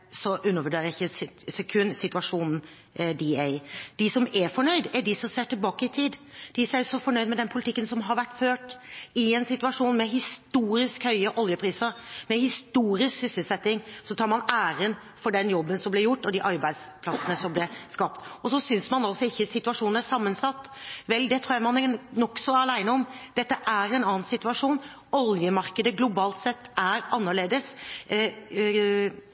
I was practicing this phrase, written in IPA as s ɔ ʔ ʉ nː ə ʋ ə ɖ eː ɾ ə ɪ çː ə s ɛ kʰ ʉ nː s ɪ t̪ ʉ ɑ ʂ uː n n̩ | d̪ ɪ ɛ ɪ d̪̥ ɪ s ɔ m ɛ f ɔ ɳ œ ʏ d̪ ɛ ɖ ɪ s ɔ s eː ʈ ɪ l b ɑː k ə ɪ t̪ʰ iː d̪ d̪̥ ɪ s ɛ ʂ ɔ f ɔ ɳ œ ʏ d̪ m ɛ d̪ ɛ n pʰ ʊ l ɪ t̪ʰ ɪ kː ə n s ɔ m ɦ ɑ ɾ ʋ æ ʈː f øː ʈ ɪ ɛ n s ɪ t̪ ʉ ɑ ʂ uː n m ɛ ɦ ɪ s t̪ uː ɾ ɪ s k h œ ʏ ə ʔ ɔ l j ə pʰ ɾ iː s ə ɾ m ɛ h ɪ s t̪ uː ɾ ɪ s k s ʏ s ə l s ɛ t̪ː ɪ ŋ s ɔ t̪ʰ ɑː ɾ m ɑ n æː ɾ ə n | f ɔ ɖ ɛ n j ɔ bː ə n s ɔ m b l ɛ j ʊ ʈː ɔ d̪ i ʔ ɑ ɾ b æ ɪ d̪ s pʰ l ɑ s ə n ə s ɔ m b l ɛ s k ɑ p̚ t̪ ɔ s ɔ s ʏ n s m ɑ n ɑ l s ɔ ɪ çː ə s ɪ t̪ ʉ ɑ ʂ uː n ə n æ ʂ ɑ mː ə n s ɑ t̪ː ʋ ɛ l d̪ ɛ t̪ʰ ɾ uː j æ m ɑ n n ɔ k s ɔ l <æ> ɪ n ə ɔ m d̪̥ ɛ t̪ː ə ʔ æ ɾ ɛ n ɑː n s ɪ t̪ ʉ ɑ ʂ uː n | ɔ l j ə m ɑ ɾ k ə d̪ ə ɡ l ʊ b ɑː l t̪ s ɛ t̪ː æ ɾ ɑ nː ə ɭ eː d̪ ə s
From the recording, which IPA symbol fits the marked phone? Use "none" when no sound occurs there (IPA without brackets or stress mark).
æ